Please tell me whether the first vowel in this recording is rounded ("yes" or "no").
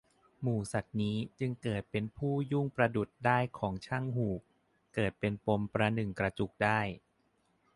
yes